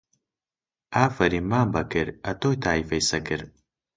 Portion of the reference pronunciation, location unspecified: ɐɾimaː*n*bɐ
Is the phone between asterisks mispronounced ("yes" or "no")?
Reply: yes